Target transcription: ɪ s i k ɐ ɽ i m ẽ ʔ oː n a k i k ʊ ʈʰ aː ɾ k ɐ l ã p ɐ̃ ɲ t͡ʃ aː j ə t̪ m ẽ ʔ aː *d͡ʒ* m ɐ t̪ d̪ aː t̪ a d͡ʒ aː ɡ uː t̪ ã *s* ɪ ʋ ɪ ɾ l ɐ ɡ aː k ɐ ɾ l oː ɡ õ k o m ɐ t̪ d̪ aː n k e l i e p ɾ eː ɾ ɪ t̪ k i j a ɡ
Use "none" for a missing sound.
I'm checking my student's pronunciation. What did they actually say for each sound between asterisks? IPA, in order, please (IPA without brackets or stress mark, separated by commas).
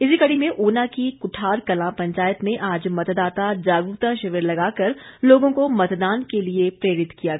d͡ʒ, ʃ